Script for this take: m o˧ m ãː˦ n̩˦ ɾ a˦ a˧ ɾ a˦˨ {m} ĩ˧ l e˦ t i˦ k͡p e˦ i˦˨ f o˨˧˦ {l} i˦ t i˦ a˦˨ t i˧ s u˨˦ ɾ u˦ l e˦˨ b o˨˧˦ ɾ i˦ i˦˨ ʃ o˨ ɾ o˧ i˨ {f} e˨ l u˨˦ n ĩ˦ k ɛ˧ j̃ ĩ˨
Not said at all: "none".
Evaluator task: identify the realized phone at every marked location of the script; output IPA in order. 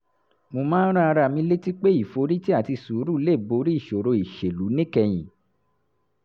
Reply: m, ɾ, ʃ

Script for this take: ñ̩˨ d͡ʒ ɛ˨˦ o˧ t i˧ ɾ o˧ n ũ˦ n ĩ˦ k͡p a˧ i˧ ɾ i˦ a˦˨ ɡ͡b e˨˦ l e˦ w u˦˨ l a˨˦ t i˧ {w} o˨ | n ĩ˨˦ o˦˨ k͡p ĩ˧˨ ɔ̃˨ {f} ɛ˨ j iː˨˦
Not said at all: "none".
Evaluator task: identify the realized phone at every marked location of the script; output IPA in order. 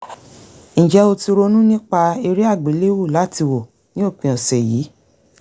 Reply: w, s

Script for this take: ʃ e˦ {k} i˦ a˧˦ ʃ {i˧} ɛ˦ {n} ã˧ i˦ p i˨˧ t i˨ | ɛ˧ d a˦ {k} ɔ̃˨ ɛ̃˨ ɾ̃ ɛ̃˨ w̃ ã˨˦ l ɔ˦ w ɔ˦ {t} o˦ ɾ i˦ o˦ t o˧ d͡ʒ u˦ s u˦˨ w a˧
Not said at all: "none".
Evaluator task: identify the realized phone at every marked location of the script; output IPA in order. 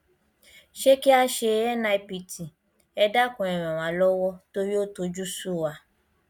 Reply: k, e˧, n, k, t

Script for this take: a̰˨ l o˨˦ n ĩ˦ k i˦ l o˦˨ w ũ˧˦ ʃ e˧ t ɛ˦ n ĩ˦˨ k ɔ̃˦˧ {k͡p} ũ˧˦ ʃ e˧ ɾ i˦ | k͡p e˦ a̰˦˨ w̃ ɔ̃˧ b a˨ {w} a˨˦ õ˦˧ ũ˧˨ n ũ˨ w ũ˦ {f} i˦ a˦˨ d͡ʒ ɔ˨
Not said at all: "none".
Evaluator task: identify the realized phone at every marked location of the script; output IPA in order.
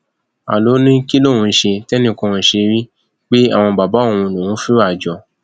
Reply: none, b, f

